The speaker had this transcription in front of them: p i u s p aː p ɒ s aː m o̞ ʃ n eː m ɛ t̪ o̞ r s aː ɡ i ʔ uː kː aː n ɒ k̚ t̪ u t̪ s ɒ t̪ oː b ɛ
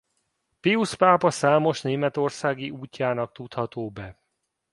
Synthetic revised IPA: p i u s p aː p ɒ s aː m o̞ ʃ n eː m ɛ t̪ o̞ r s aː ɡ i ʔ uː cː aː n ɒ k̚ t̪ u t̪ h ɒ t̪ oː b ɛ